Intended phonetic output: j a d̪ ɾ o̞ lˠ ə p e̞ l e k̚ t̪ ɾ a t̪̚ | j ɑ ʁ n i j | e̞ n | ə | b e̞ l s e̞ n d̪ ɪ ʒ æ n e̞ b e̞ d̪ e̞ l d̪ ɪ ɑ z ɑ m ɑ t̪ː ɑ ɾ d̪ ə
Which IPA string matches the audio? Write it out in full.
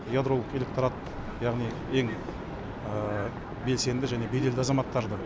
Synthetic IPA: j a d̪ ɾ o̞ lˠ ə q e̞ l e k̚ t̪ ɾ a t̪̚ | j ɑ ʁ n i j | e̞ ŋ | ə | b e̞ l s e̞ n d̪ ɪ ʒ æ n e̞ b e̞ d̪ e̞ l d̪ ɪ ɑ z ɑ m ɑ t̪ː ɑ ɾ d̪ ə